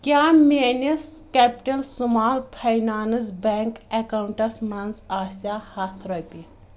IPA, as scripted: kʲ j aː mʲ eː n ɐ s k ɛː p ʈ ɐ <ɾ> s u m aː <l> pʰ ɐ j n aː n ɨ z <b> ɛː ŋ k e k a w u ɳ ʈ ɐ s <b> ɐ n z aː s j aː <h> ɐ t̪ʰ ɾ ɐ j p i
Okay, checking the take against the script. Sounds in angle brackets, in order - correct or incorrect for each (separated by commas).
incorrect, correct, correct, incorrect, correct